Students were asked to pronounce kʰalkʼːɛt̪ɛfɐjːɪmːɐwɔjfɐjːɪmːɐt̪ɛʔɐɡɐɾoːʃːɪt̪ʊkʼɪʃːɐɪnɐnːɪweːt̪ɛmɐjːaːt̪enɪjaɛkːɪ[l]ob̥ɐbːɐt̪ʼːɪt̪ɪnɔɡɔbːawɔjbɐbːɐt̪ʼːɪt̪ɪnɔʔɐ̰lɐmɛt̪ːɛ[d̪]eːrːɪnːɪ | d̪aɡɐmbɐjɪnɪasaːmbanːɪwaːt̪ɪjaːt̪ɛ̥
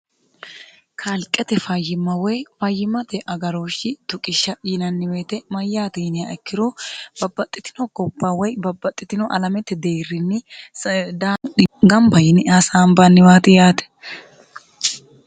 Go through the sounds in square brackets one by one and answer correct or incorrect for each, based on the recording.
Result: incorrect: ɾ, correct

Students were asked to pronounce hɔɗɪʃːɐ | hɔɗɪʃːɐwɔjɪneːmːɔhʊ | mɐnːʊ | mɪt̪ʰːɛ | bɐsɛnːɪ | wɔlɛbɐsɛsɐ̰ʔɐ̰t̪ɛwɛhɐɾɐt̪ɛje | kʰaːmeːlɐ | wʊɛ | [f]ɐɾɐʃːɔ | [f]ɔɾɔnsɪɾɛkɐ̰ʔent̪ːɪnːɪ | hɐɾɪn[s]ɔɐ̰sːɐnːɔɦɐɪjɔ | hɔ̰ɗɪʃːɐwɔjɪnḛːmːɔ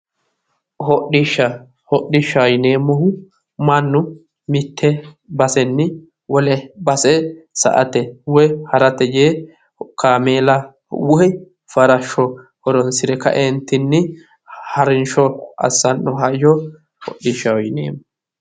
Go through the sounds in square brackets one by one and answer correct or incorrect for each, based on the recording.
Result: correct, incorrect: h, incorrect: ʃ

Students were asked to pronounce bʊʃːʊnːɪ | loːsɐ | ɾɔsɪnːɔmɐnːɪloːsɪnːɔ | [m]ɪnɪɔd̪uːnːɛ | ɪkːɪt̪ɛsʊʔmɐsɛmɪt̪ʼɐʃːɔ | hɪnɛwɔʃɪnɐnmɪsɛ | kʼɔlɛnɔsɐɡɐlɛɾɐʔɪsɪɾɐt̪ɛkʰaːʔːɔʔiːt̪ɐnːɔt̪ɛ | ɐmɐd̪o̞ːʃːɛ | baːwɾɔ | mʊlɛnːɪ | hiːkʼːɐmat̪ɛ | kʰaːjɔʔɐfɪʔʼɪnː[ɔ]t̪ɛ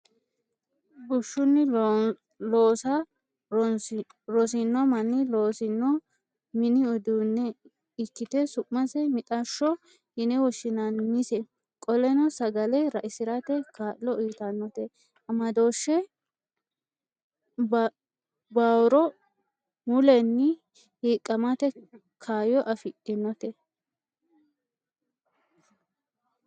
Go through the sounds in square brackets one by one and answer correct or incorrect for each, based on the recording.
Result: correct, correct

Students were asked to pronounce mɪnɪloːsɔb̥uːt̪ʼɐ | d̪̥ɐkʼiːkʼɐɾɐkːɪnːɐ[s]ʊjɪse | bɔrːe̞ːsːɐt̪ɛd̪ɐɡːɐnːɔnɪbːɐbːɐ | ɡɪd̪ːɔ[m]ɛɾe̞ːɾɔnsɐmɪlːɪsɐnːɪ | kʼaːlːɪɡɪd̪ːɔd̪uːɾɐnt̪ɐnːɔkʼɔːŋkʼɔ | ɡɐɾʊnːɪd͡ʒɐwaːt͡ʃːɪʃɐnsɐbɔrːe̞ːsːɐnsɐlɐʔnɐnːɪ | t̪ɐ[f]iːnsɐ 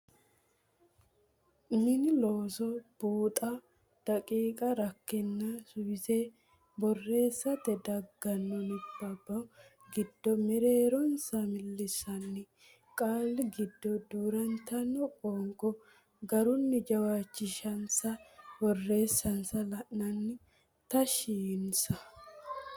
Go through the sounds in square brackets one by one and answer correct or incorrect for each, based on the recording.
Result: correct, correct, incorrect: ʃ

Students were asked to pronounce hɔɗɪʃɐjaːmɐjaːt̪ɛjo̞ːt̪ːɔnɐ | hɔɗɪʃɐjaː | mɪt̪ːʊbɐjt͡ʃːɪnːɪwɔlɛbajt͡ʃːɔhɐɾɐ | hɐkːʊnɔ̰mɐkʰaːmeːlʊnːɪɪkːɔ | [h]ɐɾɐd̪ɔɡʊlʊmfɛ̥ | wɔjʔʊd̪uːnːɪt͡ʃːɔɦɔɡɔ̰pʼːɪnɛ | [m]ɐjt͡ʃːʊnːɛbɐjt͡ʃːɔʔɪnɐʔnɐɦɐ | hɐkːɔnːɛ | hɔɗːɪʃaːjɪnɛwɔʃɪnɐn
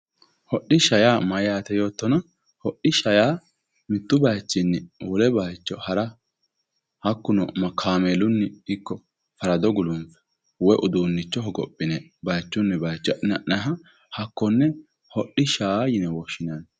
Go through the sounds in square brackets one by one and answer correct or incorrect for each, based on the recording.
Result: incorrect: f, incorrect: b

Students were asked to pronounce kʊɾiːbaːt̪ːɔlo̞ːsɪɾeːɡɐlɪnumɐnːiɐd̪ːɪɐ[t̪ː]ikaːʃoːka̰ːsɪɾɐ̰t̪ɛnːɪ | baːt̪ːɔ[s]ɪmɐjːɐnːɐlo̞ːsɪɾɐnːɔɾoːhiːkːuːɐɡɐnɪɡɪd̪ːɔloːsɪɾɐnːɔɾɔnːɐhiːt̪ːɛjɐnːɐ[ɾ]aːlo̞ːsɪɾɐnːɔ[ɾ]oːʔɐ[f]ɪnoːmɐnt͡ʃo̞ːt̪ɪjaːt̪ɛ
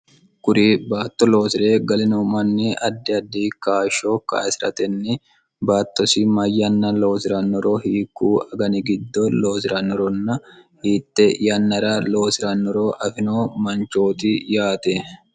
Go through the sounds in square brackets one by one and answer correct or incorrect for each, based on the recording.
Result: incorrect: d̪ː, correct, correct, correct, correct

